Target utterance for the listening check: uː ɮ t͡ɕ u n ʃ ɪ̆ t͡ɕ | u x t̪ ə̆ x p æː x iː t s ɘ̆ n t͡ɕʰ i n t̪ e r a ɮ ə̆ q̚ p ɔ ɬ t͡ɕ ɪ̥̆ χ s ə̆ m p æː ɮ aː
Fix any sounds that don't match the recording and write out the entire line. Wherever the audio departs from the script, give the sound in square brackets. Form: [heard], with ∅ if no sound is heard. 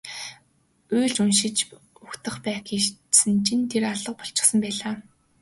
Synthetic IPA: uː ɮ t͡ɕ u n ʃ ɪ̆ t͡ɕ | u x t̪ ə̆ [χ] p æː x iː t s ɘ̆ n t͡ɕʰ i n [t̪ʰ] e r a ɮ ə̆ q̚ p ɔ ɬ t͡ɕ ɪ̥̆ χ s ə̆ m p æː ɮ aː